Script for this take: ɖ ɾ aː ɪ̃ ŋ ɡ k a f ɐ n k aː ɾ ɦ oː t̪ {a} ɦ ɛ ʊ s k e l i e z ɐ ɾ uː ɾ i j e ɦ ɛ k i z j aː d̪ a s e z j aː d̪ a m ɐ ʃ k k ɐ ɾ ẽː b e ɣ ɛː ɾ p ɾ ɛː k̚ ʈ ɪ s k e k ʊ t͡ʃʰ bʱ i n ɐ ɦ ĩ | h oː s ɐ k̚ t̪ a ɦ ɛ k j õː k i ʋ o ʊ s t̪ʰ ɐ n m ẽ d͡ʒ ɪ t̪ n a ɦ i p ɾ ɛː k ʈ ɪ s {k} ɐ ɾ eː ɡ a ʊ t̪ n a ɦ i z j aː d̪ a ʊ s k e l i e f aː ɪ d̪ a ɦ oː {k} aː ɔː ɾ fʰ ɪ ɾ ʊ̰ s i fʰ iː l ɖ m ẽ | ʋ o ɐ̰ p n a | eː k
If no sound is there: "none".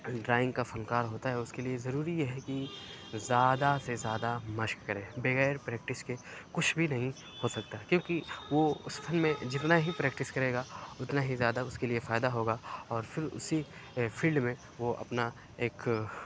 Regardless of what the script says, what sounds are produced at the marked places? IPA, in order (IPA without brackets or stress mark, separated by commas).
a, k, ɡ